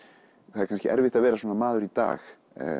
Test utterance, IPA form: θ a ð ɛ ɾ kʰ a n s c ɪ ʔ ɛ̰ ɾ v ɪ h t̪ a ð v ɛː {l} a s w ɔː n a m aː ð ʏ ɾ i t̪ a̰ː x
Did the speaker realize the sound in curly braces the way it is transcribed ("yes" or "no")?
no